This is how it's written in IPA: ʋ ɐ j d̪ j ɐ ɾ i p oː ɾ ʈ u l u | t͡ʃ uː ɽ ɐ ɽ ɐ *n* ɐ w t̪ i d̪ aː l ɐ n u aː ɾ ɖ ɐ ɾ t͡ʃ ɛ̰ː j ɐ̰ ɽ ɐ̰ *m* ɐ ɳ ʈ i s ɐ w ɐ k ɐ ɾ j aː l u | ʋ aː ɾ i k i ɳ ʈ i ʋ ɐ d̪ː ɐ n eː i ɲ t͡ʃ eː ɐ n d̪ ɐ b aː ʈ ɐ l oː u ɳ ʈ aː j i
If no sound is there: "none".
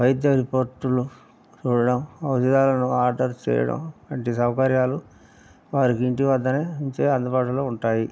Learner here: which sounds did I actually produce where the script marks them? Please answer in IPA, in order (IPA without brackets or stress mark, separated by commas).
m, m